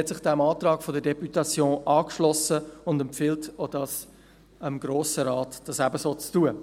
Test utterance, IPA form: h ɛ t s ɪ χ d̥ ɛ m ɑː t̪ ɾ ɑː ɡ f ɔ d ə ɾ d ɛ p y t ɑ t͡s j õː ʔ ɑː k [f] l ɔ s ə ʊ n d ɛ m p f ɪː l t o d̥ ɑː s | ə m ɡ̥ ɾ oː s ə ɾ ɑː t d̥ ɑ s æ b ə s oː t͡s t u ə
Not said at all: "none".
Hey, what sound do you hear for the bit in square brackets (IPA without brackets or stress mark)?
ʃ